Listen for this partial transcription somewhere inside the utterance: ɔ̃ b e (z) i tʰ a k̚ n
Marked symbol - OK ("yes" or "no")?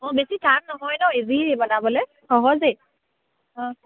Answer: no